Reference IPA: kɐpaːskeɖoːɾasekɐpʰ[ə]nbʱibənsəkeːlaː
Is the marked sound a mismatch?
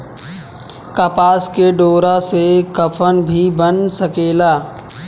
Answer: no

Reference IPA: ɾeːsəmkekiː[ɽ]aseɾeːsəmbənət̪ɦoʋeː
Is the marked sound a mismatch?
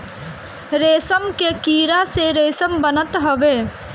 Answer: yes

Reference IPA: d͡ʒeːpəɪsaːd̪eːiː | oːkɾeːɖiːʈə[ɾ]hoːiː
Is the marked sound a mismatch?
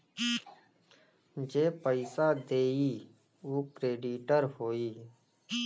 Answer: no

